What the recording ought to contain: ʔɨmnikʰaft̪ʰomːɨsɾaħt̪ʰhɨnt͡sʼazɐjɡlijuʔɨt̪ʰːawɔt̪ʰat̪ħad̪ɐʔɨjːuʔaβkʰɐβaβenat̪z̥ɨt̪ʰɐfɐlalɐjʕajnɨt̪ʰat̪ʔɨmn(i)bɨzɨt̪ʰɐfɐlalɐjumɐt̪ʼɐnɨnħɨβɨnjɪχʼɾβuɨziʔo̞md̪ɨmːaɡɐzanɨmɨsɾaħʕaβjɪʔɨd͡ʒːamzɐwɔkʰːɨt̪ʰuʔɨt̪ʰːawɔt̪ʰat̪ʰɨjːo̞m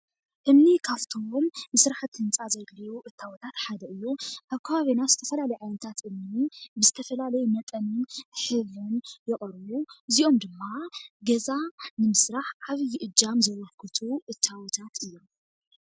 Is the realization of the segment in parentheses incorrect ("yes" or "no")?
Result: no